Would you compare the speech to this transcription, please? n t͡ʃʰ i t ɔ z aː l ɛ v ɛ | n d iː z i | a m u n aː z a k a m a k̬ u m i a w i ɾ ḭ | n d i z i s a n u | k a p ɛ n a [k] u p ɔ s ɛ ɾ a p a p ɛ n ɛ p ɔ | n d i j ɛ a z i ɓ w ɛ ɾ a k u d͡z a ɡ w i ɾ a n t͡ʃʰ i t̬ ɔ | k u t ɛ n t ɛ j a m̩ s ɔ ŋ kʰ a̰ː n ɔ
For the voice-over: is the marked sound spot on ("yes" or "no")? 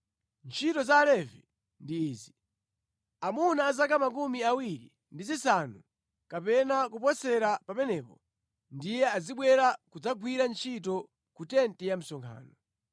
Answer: yes